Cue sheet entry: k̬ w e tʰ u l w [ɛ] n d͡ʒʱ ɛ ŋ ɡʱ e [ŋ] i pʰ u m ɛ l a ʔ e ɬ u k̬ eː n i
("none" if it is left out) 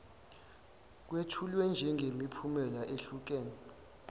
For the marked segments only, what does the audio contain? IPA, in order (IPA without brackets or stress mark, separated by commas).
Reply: ɛ, m